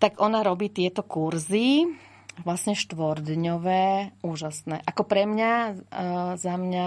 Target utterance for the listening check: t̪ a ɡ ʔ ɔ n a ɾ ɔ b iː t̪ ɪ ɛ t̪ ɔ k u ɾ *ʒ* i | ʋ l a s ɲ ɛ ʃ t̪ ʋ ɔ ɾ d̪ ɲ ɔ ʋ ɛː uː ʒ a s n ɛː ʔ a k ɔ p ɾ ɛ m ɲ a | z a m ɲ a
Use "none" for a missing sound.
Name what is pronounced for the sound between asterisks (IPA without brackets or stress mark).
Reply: z